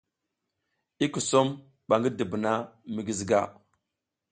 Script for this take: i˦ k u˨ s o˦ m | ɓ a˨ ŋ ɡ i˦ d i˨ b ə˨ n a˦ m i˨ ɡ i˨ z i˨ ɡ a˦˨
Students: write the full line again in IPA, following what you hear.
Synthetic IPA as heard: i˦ k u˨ s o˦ m | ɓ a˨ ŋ ɡ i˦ d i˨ b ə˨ n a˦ m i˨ ɡ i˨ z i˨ ɡ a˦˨